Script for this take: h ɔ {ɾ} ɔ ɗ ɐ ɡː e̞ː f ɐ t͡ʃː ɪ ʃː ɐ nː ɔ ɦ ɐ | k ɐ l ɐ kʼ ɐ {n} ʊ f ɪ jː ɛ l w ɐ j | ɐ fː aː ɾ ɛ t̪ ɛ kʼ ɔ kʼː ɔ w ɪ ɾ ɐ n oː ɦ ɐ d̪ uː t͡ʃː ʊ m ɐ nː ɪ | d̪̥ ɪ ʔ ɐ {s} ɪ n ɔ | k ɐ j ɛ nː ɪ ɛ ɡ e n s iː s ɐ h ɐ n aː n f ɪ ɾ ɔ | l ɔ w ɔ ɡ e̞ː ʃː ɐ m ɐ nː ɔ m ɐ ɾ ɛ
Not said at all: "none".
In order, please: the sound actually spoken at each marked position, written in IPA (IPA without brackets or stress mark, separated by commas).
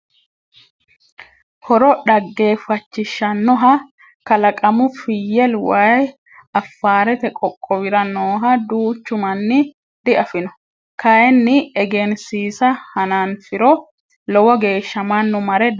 ɾ, m, f